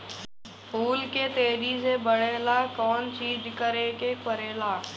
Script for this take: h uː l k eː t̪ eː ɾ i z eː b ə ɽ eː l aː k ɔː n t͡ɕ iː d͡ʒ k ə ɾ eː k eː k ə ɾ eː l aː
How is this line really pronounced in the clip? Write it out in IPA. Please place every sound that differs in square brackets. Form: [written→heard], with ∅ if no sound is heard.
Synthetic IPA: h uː l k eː t̪ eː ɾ i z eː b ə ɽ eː l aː k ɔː n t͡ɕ iː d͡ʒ k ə ɾ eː k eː k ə ɾ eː l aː